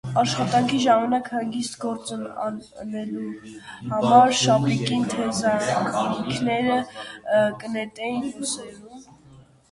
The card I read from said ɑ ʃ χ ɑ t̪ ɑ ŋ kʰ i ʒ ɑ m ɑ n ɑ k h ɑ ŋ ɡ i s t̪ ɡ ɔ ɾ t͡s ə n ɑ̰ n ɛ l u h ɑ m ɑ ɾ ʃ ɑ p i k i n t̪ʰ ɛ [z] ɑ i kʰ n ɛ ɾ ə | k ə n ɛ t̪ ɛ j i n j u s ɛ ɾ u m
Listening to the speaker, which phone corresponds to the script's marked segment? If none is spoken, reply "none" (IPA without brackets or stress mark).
z